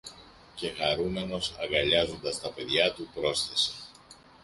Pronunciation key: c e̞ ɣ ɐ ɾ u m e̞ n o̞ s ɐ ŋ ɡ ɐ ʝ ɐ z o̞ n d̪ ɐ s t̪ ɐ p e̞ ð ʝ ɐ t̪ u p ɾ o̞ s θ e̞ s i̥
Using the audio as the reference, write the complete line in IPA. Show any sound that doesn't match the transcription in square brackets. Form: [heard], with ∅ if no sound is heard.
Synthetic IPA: c e̞ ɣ ɐ ɾ u m e̞ n o̞ s ɐ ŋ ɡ ɐ [ʎ] ɐ z o̞ n d̪ ɐ s t̪ ɐ p e̞ ð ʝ ɐ t̪ u p ɾ o̞ s θ e̞ s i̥